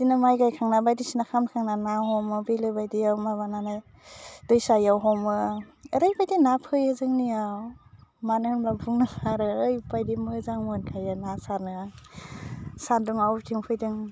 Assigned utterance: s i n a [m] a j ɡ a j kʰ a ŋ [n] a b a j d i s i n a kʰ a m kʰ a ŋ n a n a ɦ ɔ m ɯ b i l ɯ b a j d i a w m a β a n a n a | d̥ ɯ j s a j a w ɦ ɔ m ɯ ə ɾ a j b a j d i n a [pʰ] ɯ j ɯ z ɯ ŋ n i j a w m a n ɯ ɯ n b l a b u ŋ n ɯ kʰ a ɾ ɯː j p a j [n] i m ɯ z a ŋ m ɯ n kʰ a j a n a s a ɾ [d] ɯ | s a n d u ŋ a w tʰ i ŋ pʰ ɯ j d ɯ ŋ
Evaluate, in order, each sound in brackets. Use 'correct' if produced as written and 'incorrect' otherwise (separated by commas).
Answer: correct, correct, correct, incorrect, incorrect